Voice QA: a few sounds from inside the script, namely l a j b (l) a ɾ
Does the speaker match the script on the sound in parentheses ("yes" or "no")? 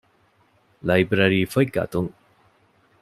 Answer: no